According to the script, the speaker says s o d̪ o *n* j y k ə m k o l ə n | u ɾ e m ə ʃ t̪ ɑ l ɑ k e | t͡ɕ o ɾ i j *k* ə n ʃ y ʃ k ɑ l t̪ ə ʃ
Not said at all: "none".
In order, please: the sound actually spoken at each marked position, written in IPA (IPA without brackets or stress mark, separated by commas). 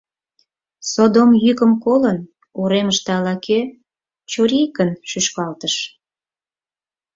m, k